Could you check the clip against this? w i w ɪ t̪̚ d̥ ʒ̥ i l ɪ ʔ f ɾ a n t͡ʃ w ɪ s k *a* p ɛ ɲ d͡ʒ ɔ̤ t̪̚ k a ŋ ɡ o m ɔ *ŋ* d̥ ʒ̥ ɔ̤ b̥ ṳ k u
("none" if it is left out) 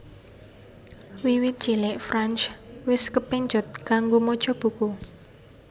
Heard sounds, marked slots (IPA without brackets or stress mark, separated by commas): ə, none